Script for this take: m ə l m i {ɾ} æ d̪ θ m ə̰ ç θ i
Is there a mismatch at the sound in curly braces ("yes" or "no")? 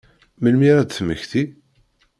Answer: no